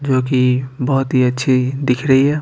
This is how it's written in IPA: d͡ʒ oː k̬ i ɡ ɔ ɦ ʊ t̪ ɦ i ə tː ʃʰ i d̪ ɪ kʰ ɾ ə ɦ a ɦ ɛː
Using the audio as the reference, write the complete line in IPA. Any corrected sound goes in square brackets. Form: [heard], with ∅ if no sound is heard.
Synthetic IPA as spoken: d͡ʒ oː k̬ i [b] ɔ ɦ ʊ t̪ ɦ i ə tː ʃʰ i d̪ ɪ kʰ ɾ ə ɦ [i] ɦ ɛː